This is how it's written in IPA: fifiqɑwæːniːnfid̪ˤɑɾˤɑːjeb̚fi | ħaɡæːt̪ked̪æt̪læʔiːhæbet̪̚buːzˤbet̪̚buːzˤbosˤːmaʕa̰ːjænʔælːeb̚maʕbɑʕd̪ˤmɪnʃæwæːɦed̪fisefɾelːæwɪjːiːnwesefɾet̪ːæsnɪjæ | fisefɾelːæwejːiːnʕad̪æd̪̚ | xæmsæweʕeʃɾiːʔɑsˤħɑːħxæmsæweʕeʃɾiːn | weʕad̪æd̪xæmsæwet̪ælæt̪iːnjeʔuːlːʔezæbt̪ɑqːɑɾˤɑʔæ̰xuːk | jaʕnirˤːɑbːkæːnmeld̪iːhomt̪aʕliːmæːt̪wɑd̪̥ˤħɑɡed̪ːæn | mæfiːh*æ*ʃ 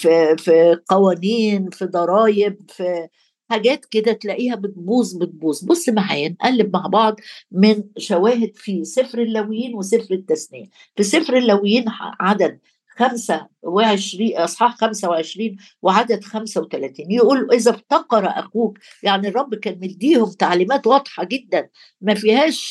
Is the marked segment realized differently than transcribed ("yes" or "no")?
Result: yes